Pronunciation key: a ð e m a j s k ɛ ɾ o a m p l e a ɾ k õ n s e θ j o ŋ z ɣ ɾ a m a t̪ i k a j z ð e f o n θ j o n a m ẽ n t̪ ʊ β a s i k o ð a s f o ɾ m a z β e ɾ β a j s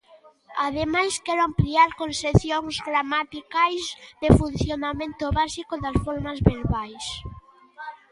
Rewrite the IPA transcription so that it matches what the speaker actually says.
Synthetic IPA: a ð e m a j s k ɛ ɾ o a m p l i a ɾ k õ n s e θ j o ŋ z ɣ ɾ a m a t̪ i k a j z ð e f u n θ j o n a m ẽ n t̪ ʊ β a s i k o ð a s f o ɾ m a z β e ɾ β a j s

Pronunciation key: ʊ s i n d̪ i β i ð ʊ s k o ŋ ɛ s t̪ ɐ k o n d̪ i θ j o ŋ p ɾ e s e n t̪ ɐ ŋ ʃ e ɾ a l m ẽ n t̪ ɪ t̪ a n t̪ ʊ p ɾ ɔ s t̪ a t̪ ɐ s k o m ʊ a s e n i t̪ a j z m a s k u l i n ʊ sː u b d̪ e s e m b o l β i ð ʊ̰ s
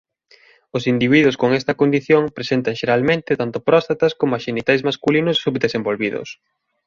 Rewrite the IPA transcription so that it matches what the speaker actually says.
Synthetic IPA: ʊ s i n d̪ i β i ð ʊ s k o ŋ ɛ s t̪ ɐ k o n d̪ i θ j o ŋ p ɾ e s e n t̪ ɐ ŋ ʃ e ɾ a l m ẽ n t̪ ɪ t̪ a n t̪ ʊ p ɾ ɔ s t̪ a t̪ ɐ s k o m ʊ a ʃ e n i t̪ a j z m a s k u l i n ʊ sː u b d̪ e s e m b o l β i ð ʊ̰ s

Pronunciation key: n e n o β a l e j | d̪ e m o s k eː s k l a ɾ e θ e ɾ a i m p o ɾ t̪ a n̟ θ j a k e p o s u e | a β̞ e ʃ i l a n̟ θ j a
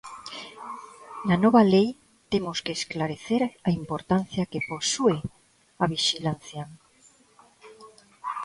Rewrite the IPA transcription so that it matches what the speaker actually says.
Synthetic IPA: n a n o β a l e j | t̪ e m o s k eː s k l a ɾ e θ e ɾ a i m p o ɾ t̪ a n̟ θ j a k e p o s u e | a β̞ i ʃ i l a n̟ θ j a

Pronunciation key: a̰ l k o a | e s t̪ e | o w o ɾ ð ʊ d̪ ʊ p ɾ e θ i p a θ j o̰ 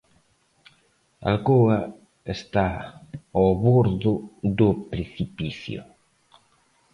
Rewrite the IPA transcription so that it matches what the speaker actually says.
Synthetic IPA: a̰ l k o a | e s t̪ a | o β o ɾ ð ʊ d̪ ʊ p ɾ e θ i p i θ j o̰

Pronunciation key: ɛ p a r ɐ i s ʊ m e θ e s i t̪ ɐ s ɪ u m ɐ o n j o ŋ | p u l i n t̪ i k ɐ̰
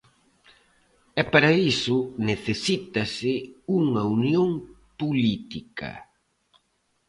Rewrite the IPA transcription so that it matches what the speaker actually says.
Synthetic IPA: ɛ p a ɾ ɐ i s ʊ n e θ e s i t̪ ɐ s ɪ u ŋ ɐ u n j o ŋ | p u l i t̪ i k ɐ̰

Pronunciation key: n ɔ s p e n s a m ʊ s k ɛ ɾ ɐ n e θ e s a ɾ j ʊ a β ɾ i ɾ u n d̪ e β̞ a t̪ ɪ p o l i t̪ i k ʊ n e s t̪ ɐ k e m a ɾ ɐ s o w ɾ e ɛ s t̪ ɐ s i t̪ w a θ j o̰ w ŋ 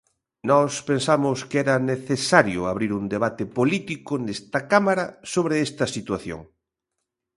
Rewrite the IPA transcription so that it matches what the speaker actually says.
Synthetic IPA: n ɔ s p e n s a m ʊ s k ɛ ɾ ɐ n e θ e s a ɾ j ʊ a β ɾ i ɾ u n d̪ e β̞ a t̪ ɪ p o l i t̪ i k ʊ n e s t̪ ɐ k a m a ɾ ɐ s o β ɾ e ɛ s t̪ ɐ s i t̪ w a θ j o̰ ŋ

